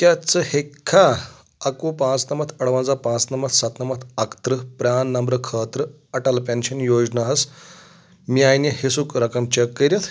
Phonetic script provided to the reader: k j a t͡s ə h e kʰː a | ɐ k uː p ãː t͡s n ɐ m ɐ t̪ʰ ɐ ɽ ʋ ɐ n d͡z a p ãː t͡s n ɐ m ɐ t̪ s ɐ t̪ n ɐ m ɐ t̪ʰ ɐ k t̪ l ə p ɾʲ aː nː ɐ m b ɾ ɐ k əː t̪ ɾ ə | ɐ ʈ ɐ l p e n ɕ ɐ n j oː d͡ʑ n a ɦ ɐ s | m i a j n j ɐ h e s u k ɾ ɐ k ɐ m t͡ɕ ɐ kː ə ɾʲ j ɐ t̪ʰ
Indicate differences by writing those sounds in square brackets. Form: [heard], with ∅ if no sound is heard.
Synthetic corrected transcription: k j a t͡s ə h e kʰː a | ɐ k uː p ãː t͡s n ɐ m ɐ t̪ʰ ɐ ɽ ʋ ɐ n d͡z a p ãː t͡s n ɐ m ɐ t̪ s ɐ t̪ n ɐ m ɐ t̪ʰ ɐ k t̪ [ɾ] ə p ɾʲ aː nː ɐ m b ɾ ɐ [kʰ] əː t̪ ɾ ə | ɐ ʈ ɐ l p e n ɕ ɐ n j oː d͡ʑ n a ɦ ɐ s | m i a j n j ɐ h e s u k ɾ ɐ k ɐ m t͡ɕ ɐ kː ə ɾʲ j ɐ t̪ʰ